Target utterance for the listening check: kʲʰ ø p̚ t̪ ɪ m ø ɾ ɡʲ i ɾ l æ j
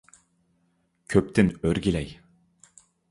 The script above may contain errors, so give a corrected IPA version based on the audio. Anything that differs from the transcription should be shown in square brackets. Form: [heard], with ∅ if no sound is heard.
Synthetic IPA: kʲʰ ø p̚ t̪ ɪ [n] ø ɾ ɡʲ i [∅] l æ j